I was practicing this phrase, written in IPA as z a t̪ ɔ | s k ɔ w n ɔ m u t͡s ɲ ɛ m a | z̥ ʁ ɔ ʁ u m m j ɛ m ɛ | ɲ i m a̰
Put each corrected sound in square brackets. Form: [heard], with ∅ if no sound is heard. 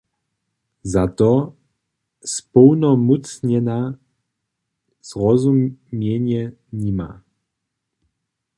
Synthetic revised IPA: z a t̪ ɔ | s [p] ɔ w n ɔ m u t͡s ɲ ɛ [n] a | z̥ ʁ ɔ [z] u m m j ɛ [ɲ] ɛ | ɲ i m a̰